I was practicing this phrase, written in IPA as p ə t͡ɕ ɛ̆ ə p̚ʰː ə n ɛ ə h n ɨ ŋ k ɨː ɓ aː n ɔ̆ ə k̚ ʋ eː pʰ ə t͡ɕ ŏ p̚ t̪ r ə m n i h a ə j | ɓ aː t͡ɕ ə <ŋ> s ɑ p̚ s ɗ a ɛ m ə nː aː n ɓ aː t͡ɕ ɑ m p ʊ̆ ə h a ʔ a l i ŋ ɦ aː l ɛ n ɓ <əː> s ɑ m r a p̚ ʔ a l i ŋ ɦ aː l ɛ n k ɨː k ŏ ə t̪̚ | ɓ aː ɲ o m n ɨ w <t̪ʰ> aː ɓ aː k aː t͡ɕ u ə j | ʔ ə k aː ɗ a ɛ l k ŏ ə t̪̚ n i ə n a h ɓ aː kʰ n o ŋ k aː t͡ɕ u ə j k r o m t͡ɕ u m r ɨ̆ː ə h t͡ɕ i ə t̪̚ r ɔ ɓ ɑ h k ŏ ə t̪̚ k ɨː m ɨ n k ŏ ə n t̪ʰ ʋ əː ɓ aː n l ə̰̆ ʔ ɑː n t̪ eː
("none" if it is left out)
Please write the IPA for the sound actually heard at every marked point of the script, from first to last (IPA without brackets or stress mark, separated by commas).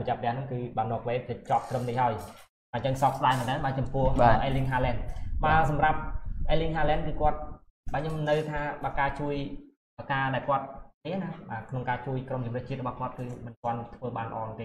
ŋ, aː, t̪ʰ